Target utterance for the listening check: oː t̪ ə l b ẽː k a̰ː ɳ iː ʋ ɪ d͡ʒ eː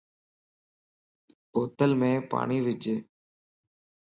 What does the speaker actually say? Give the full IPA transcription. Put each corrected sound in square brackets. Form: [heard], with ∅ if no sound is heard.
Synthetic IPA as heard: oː t̪ ə l [m] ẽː [p] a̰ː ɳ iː ʋ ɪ d͡ʒ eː